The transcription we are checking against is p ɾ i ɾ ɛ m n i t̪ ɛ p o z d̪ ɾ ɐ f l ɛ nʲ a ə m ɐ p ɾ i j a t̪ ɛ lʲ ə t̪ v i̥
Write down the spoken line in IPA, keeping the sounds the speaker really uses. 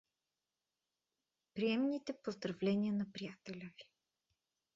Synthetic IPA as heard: p ɾ i ɛ m n i t̪ ɛ p o z d̪ ɾ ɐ v l ɛ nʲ i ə n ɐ p ɾ i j a t̪ ɛ lʲ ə v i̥

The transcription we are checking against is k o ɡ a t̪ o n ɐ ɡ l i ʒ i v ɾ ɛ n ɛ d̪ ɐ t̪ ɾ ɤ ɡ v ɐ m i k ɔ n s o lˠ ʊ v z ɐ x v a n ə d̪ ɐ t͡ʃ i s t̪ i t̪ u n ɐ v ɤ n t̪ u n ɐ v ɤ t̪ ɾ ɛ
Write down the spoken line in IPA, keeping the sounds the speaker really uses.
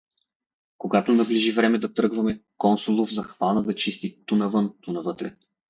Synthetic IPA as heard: k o ɡ a t̪ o n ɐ b l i ʒ i v ɾ ɛ m ɛ d̪ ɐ t̪ ɾ ɤ ɡ v ɐ m ɛ k ɔ n s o lˠ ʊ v z ɐ x v a n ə d̪ ɐ t͡ʃ i s t̪ i t̪ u n ɐ v ɤ n t̪ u n ɐ v ɤ t̪ ɾ ɛ

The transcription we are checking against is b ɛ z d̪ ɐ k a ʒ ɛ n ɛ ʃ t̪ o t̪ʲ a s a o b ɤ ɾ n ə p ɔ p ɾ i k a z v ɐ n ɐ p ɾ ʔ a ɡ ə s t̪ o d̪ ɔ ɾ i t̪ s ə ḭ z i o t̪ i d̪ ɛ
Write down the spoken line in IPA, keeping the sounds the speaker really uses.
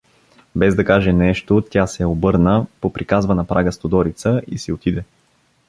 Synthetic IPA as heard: b ɛ z d̪ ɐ k a ʒ ɛ n ɛ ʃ t̪ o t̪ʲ a s ɛ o b ɤ ɾ n ə p o p ɾ i k a z v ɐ n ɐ p ɾ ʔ a ɡ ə s t̪ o d̪ ɔ ɾ i t̪ s ə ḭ s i o t̪ i d̪ ɛ

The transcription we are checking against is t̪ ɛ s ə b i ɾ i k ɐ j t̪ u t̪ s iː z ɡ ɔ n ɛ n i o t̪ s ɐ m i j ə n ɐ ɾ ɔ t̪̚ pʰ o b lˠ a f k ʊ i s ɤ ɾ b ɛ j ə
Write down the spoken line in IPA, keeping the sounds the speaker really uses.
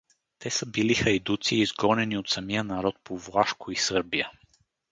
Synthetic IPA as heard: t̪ ɛ s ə b i l i x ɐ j d̪ u t̪ s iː z ɡ ɔ n ɛ n i o t̪ s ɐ m i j ə n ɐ ɾ ɔ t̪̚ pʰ o v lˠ a ʃ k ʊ i s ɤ ɾ b i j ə

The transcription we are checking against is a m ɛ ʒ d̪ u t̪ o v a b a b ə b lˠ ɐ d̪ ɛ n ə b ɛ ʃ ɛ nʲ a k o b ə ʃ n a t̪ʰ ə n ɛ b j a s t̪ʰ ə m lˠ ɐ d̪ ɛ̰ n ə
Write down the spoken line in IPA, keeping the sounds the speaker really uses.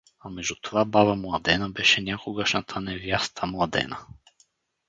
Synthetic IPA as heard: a m ɛ ʒ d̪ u t̪ o v a b a v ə m lˠ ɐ d̪ ɛ n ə b ɛ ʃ ɛ nʲ a k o ɡ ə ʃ n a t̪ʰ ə n ɛ v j a s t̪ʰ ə m lˠ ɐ d̪ ɛ̰ n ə

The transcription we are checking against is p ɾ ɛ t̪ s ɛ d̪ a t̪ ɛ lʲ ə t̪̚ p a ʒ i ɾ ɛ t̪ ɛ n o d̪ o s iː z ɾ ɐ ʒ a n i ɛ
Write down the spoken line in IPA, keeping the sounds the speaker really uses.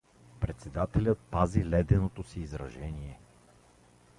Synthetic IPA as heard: p ɾ ɛ t̪ s ɛ d̪ a t̪ ɛ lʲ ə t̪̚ p a z i l ɛ d̪ ɛ n o t̪ o s iː z ɾ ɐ ʒ ɛ n i ɛ

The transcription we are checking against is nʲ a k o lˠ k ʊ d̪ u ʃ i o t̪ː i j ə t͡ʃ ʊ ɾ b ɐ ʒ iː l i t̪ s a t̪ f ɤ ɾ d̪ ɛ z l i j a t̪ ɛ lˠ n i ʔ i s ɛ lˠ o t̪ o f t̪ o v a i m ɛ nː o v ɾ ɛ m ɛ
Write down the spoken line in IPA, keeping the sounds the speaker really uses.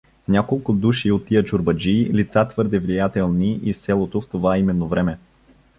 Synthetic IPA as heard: nʲ a k o lˠ k ʊ d̪ u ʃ i o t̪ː i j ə t͡ʃ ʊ ɾ b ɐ d͡ʒ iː l i t̪ s a t̪ v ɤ ɾ d̪ ɛ v l i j a t̪ ɛ lˠ n i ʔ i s ɛ lˠ o t̪ o f t̪ o v a i m ɛ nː o v ɾ ɛ m ɛ

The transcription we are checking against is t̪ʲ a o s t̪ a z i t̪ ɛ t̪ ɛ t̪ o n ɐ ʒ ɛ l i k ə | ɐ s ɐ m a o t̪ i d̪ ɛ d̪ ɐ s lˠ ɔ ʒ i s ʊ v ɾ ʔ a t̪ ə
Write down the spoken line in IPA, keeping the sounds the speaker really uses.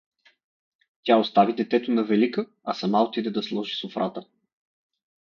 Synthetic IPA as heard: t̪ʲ a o s t̪ a v i d̪ ɛ t̪ ɛ t̪ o n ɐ v ɛ l i k ə | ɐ s ɐ m a o t̪ i d̪ ɛ d̪ ɐ s lˠ ɔ ʒ i s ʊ f ɾ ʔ a t̪ ə

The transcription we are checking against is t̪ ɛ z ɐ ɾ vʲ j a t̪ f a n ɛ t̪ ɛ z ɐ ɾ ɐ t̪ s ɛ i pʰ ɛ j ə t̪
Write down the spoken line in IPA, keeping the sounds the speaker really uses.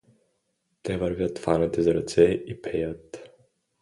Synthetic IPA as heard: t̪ ɛ v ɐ ɾ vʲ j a t̪ f a n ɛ t̪ ɛ z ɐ ɾ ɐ t̪ s ɛ i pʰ ɛ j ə t̪

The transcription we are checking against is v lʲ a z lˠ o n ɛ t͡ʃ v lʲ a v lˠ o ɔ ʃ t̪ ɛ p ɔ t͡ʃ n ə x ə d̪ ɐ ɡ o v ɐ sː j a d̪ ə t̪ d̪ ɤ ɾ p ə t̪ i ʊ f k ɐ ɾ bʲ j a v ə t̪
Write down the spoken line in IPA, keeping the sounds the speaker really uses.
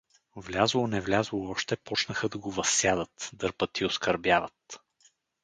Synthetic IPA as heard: v lʲ a z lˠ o n ɛ v lʲ a z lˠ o ɔ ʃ t̪ ɛ p ɔ t͡ʃ n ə x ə d̪ ɐ ɡ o v ɐ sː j a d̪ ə t̪ d̪ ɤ ɾ p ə t̪ i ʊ s k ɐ ɾ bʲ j a v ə t̪

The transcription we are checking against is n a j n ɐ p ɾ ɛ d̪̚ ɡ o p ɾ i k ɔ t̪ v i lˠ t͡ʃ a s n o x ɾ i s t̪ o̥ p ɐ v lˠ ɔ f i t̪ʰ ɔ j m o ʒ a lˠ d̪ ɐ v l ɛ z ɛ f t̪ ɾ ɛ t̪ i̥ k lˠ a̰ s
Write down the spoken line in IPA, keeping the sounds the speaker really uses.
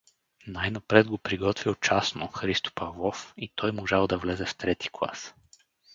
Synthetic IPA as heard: n a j n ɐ p ɾ ɛ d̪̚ ɡ o p ɾ i ɡ ɔ t̪ v i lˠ t͡ʃ a s n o x ɾ i s t̪ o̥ p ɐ v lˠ ɔ f i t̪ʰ ɔ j m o ʒ a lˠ d̪ ɐ v l ɛ z ɛ f t̪ ɾ ɛ t̪ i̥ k lˠ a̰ s

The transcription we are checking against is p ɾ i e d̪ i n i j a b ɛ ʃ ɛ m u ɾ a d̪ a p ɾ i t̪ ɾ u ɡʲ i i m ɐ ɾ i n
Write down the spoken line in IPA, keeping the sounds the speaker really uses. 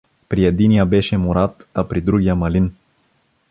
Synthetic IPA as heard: p ɾ i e d̪ i n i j a b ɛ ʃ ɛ m u ɾ a t̪ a p ɾ i d̪ ɾ u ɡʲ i a m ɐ l i n

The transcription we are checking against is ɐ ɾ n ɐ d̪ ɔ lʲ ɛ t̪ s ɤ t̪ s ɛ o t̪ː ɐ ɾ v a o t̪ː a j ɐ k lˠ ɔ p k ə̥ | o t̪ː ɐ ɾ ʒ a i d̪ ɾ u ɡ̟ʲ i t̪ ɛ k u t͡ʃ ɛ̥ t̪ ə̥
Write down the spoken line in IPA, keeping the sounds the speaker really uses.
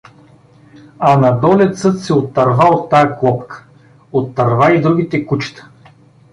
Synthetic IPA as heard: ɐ n ɐ d̪ ɔ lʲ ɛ t̪ s ɤ t̪ s ɛ o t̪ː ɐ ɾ v a o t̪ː a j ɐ k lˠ ɔ p k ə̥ | o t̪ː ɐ ɾ v a i d̪ ɾ u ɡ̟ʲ i t̪ ɛ k u t͡ʃ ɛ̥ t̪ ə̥

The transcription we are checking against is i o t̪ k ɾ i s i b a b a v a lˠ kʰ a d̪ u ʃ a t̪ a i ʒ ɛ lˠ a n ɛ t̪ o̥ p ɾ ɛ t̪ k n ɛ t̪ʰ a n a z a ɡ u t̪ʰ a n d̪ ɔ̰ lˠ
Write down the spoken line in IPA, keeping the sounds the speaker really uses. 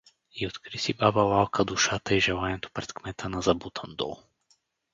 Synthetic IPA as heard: i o t̪ k ɾ i s i b a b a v a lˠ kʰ a d̪ u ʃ a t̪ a i ʒ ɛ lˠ a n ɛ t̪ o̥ p ɾ ɛ t̪ k m ɛ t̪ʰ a n a z a b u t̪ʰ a n d̪ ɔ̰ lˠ

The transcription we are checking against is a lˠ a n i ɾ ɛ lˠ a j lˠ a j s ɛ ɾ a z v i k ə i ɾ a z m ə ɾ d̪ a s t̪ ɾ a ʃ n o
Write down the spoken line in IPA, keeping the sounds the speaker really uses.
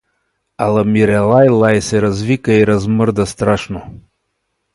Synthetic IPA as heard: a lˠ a m i ɾ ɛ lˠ a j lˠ a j s ɛ ɾ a z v i k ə i ɾ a z m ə ɾ d̪ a s t̪ ɾ a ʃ n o

